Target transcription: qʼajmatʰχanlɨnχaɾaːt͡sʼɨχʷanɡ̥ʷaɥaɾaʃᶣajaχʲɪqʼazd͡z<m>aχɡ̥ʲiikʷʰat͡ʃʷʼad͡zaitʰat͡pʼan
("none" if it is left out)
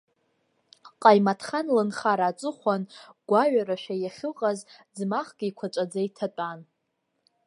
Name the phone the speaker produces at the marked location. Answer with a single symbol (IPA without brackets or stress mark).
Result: m